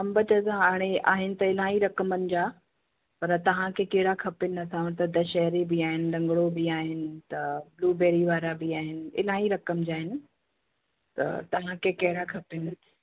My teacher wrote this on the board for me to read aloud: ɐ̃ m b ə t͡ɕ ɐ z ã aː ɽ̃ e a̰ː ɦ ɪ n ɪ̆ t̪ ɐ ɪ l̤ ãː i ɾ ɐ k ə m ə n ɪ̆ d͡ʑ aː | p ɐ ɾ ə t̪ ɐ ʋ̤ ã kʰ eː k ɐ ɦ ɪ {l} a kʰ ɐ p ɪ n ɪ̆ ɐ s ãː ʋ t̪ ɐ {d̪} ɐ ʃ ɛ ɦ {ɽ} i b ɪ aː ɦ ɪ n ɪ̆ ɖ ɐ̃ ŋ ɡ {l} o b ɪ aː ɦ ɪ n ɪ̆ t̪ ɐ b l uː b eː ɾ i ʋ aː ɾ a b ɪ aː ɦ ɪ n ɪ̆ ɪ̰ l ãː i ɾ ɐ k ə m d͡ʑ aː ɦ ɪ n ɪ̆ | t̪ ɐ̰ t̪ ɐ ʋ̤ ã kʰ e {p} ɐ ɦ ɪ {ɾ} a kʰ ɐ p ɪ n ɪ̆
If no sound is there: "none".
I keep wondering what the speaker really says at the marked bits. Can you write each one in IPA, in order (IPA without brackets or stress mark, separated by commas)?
ɽ, d̪, ɾ, ɽ, k, ɽ